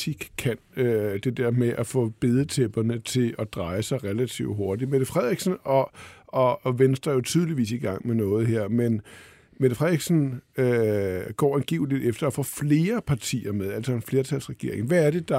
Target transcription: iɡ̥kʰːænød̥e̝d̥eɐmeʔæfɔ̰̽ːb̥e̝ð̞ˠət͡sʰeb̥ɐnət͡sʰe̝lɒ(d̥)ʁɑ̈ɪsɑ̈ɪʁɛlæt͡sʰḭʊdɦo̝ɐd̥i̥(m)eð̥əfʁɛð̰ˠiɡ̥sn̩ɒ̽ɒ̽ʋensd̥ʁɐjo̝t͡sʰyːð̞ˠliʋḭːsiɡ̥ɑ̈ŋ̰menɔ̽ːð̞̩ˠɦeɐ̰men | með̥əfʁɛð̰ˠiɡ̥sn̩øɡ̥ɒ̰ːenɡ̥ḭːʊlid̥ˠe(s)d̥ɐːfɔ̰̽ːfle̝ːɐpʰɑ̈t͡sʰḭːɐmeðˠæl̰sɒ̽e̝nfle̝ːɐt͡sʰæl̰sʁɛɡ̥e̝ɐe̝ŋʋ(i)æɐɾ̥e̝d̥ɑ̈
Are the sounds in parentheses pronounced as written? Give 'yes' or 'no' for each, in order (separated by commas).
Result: yes, yes, no, no